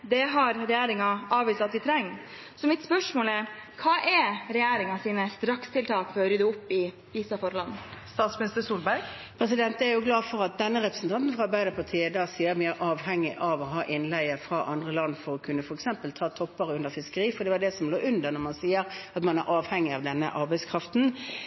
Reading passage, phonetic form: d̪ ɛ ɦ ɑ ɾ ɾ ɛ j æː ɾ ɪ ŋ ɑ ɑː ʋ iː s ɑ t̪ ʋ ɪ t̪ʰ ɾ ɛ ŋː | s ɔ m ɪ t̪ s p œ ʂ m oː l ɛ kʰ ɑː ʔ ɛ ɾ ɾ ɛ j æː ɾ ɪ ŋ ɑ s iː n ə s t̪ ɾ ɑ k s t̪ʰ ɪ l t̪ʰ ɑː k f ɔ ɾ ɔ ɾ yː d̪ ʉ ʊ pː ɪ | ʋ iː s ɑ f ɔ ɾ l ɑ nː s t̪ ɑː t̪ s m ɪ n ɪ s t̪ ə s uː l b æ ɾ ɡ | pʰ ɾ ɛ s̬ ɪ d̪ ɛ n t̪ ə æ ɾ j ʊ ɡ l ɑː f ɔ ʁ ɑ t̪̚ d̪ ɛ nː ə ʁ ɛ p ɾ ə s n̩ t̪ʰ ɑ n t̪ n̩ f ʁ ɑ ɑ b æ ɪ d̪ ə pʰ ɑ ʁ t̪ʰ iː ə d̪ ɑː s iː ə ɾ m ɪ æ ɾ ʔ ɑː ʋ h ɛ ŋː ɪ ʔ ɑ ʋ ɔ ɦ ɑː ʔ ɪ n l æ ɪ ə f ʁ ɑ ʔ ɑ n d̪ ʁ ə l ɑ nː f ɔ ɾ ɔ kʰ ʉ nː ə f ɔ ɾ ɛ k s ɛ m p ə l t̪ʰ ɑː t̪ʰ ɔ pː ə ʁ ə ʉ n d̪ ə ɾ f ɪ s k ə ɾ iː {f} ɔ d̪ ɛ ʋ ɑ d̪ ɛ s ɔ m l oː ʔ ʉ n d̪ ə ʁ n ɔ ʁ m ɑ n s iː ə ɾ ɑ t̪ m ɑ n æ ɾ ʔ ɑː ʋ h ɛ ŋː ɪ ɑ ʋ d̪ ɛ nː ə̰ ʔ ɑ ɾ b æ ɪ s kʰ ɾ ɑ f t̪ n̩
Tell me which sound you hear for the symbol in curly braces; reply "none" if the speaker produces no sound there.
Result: f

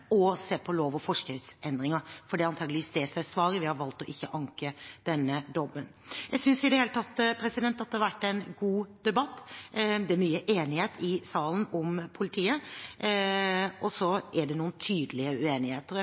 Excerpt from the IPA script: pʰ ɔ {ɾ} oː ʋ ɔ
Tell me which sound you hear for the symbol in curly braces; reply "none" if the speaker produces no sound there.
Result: l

